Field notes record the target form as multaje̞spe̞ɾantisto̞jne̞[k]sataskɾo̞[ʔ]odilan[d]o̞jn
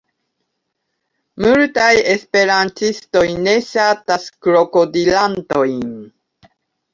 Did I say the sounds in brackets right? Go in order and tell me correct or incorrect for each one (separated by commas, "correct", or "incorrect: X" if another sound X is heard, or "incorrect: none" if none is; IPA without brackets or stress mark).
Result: incorrect: none, incorrect: k, incorrect: t